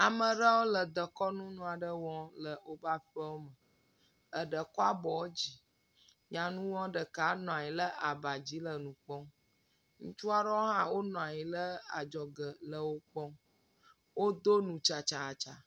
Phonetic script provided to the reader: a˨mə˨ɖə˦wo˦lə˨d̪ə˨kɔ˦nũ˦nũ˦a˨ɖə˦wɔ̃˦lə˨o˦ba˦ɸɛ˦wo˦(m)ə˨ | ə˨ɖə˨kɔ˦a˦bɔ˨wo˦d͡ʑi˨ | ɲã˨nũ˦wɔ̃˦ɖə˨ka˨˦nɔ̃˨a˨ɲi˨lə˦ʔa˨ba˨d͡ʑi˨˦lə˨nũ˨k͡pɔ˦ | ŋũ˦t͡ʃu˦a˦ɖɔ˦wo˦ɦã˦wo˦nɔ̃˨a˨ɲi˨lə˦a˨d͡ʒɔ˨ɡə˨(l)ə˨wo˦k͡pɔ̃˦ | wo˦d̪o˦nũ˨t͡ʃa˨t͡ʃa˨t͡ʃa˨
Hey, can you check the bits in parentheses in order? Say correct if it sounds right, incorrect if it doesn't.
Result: correct, correct

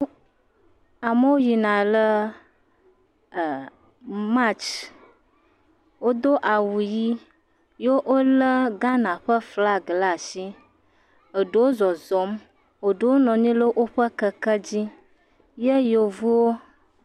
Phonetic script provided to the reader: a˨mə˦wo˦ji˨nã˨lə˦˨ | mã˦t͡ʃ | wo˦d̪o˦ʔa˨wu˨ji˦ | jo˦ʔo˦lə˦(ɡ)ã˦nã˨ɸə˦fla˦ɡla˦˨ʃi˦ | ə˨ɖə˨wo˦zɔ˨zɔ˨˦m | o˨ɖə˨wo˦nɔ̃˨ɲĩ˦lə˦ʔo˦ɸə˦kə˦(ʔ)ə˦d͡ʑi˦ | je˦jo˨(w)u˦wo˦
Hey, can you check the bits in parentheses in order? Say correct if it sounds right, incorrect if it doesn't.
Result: correct, incorrect: k, incorrect: v

